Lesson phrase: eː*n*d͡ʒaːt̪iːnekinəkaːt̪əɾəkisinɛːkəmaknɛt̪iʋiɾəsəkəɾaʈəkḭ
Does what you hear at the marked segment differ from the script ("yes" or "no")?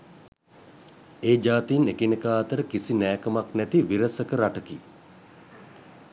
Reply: yes